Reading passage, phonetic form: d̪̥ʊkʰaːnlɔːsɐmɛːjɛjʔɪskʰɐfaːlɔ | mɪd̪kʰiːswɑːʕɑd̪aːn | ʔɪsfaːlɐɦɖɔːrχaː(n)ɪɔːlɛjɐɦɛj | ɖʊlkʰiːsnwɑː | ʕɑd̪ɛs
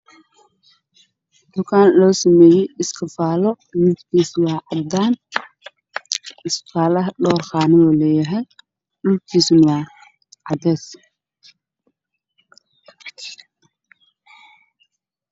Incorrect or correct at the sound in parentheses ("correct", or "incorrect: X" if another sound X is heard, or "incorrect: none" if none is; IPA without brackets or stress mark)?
correct